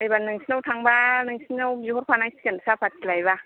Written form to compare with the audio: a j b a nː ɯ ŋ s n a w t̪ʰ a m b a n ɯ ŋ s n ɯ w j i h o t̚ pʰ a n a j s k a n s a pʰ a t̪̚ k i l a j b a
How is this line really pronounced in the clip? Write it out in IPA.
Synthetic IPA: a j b a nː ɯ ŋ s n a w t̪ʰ a ŋ b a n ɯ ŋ s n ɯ w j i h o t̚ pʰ a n a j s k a n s a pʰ a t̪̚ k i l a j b a